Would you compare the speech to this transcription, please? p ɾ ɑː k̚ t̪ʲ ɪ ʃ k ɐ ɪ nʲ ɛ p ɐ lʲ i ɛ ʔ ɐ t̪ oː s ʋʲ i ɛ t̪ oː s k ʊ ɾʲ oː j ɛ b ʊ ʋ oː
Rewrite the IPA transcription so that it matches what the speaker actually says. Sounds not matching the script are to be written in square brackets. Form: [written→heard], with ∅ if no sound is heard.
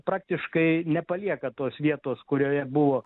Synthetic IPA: p ɾ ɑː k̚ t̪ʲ ɪ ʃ k ɐ ɪ nʲ ɛ p ɐ lʲ i ɛ [ʔ→k] ɐ t̪ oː s ʋʲ i ɛ t̪ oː s k ʊ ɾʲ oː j ɛ b ʊ ʋ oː